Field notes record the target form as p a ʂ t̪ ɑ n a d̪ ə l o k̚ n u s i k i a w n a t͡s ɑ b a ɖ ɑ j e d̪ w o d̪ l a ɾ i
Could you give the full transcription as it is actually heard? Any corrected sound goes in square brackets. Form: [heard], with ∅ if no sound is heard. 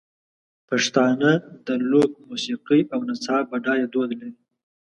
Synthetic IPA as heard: p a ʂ t̪ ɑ n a d̪ ə l o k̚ [m] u s i [q] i a w n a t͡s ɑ b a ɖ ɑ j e d̪ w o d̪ l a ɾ i